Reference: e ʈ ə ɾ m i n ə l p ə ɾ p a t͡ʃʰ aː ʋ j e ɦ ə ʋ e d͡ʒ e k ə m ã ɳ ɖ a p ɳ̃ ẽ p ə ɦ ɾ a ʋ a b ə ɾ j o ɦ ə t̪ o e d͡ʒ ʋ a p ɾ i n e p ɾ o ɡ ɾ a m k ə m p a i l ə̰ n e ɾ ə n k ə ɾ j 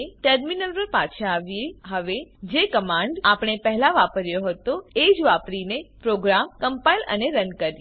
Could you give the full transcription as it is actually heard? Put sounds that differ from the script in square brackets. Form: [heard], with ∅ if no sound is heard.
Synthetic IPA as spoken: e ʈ ə ɾ m i n ə l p ə ɾ p a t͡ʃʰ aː ʋ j e ɦ ə ʋ e d͡ʒ e k ə m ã ɳ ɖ a p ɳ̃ [e] p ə ɦ [l] a ʋ a [p] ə ɾ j o ɦ ə t̪ o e d͡ʒ ʋ a p ɾ i n e p ɾ o ɡ ɾ a m k ə m p a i l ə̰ n e ɾ ə n k ə ɾ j